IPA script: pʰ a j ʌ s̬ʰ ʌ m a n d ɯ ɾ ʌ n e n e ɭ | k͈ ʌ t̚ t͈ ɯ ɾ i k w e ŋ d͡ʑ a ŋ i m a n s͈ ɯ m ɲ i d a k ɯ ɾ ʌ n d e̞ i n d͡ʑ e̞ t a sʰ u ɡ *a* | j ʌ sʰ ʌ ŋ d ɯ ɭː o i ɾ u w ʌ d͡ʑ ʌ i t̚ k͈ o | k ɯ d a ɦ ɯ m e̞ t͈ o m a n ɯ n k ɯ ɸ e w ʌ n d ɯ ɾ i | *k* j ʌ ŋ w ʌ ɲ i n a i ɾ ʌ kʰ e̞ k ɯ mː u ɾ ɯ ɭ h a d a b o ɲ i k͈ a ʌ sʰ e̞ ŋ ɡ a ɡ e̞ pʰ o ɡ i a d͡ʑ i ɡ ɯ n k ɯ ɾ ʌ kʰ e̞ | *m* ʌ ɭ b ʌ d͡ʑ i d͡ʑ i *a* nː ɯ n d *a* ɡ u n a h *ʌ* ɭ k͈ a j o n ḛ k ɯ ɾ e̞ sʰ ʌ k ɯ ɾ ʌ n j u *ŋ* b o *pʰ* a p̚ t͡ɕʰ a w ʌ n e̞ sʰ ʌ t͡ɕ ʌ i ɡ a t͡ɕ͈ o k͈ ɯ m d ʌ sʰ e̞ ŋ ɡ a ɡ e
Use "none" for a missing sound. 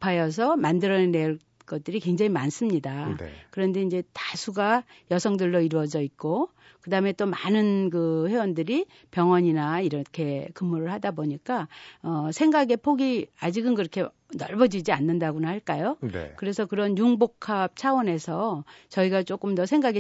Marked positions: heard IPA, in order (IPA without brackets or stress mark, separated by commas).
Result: a, p, n, a, a, a, ŋ, kʰ